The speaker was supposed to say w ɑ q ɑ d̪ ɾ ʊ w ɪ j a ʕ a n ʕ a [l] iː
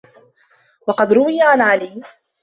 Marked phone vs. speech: correct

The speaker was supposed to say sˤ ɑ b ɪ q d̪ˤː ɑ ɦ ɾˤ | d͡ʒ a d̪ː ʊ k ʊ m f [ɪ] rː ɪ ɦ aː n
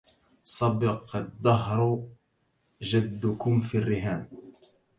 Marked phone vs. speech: incorrect: i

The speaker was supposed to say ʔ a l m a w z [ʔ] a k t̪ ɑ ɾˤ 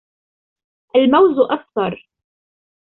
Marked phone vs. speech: correct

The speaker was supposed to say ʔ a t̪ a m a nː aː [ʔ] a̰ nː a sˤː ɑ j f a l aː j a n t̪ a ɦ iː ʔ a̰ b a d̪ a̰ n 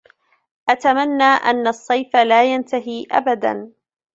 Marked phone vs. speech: correct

